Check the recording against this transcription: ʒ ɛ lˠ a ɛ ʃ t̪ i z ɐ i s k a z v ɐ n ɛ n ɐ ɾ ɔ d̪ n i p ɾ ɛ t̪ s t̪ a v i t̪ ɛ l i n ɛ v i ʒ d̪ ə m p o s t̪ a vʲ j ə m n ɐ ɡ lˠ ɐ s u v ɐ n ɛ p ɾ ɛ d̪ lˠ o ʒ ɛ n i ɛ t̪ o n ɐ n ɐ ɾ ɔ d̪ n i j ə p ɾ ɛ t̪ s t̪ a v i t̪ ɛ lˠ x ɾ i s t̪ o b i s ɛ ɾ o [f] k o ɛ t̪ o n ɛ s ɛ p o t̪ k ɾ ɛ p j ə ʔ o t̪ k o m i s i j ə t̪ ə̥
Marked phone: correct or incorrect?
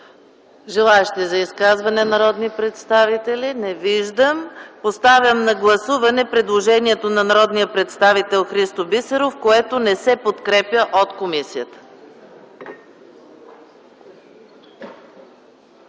correct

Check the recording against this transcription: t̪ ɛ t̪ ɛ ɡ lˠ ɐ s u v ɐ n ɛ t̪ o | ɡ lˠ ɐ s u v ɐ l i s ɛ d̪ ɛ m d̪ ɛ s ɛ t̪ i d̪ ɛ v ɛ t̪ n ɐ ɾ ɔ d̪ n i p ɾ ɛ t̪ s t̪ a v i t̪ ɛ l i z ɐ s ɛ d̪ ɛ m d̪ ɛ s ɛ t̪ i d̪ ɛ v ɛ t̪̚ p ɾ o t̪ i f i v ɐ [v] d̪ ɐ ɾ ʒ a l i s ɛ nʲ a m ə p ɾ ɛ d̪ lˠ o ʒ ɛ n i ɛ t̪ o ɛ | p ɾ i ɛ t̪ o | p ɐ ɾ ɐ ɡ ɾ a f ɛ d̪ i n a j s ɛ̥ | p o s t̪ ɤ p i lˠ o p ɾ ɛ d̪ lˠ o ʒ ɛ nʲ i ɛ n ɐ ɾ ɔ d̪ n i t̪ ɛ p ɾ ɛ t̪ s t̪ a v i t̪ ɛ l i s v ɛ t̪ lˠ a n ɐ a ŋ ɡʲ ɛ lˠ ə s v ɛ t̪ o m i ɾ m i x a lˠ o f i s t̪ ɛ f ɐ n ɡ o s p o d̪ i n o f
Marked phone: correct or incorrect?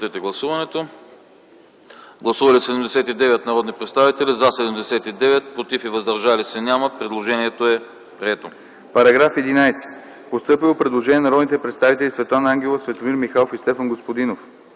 incorrect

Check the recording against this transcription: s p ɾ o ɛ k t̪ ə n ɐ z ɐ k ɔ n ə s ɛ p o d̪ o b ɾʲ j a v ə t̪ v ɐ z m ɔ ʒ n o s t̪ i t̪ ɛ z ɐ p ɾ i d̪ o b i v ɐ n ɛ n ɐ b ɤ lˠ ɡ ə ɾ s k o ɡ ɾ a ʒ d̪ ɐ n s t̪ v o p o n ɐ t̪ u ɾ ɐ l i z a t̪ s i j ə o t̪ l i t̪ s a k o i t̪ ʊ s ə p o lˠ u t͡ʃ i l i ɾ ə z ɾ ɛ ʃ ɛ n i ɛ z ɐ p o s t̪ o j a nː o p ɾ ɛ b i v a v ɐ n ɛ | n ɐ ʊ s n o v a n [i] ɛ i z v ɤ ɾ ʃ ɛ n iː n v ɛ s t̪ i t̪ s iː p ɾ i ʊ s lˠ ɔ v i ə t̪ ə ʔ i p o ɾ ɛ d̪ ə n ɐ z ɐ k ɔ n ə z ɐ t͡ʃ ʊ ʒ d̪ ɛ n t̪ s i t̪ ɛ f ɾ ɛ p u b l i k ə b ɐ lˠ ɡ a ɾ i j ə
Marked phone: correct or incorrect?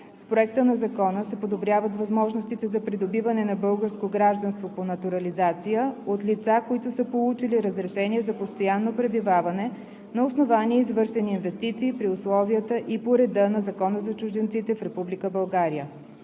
correct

